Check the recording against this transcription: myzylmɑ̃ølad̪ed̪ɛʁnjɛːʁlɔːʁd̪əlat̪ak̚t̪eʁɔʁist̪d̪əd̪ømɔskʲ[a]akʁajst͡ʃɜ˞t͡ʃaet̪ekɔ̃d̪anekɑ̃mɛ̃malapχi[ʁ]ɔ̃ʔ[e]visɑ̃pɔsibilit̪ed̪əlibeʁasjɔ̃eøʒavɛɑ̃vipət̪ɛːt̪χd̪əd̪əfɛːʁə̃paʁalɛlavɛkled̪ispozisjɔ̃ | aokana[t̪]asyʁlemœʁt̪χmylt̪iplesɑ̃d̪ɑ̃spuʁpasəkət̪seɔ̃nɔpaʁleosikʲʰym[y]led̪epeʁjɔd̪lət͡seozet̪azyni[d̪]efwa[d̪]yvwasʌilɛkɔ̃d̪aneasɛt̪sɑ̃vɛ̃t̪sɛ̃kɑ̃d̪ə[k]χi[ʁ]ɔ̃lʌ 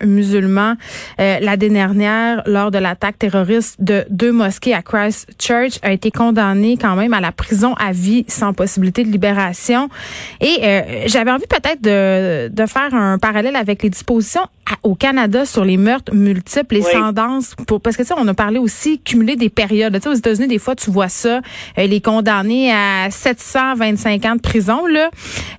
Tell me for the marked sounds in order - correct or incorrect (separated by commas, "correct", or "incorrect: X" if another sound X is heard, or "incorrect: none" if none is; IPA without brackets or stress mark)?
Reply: incorrect: e, incorrect: z, incorrect: a, incorrect: d̪, correct, correct, incorrect: t̪, incorrect: p, incorrect: z